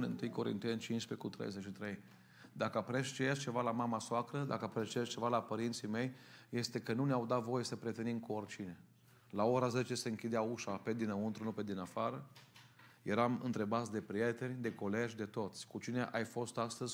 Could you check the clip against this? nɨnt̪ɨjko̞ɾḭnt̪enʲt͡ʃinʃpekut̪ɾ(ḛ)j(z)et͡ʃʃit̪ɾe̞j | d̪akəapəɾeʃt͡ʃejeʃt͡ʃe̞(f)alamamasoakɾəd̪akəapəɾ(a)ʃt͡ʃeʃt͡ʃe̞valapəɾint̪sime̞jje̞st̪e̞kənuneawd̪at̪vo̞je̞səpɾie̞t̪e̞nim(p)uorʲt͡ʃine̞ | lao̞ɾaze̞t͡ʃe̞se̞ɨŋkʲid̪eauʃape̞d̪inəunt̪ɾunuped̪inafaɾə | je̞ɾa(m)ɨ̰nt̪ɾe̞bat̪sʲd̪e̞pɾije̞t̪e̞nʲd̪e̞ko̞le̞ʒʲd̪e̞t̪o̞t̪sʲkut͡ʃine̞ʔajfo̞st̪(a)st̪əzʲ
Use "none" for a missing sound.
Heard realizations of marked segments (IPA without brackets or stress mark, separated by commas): ḛ, z, v, e, k, m, a